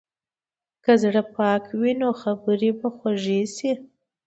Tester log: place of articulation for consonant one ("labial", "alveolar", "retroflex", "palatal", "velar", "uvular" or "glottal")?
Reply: velar